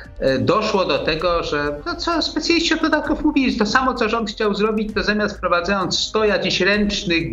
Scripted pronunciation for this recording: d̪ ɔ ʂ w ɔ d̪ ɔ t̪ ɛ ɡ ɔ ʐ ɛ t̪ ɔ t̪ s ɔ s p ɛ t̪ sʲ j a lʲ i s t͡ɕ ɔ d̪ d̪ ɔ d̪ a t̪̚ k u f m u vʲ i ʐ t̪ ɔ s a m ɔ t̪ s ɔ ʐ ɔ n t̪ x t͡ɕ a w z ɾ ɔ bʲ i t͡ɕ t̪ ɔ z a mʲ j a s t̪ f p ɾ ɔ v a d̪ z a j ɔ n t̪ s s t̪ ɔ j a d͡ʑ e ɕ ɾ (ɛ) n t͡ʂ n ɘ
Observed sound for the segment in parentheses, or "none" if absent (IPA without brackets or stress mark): ɛ